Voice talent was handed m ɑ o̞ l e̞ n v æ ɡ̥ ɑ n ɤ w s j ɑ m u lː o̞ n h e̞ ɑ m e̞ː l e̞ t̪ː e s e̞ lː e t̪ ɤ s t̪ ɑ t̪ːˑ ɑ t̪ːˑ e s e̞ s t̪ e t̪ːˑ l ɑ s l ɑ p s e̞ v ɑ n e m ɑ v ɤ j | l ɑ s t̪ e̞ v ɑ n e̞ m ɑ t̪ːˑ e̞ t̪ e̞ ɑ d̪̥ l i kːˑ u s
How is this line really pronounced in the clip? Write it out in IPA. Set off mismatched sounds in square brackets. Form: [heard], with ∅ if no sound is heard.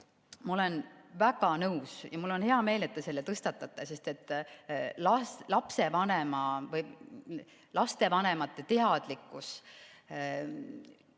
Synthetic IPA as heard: m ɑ o̞ l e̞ n v æ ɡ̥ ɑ n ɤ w s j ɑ m u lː o̞ n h e̞ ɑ m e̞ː l e̞ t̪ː e s e̞ lː e t̪ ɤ s t̪ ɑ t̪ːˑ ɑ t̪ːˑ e s e̞ s t̪ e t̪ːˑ l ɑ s l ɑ p s e̞ v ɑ n e m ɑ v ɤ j | l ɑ s t̪ e̞ v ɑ n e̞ m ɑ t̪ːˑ e̞ t̪ e̞ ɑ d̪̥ l i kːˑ u s